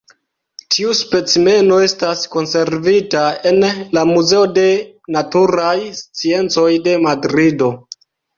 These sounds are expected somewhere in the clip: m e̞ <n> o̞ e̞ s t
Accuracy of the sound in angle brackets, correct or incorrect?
correct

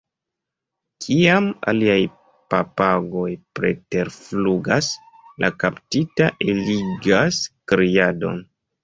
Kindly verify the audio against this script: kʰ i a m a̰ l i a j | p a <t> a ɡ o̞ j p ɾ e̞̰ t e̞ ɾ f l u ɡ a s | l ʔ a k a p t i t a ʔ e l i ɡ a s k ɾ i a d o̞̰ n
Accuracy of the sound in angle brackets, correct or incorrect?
incorrect: p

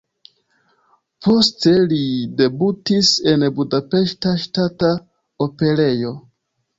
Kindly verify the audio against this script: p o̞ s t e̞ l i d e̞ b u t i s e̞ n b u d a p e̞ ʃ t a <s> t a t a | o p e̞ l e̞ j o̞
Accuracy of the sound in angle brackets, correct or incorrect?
incorrect: ʃ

